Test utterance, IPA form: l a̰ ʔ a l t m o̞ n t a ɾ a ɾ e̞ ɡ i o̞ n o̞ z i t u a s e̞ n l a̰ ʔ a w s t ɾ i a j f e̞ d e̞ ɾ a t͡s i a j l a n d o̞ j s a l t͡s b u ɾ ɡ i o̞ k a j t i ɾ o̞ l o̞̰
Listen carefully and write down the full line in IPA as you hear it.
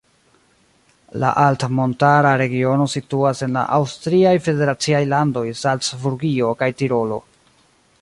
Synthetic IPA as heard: l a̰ ʔ a l t m o̞ n t a ɾ a ɾ e̞ ɡ i o̞ n o̞ s i t u a s e̞ n l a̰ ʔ a w s t ɾ i a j f e̞ d e̞ ɾ a t͡s i a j l a n d o̞ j s a l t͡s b u ɾ ɡ i o̞ k a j t i ɾ o̞ l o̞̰